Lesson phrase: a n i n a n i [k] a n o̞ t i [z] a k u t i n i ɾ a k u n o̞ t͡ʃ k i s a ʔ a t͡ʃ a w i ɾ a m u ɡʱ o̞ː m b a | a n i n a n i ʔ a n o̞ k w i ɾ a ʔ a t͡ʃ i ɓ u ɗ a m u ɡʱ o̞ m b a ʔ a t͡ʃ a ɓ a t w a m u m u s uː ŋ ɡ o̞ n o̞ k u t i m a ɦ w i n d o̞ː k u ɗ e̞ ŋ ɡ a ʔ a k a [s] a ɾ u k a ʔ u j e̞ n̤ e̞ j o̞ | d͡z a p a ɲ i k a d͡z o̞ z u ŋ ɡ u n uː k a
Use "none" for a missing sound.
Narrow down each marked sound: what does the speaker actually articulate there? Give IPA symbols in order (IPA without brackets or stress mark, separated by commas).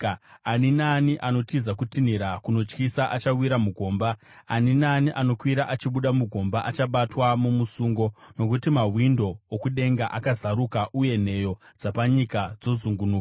ʔ, z, z